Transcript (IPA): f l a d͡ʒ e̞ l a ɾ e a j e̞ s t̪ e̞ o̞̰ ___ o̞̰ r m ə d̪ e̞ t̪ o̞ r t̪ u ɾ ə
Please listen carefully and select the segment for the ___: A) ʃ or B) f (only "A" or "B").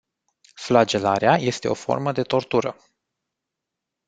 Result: B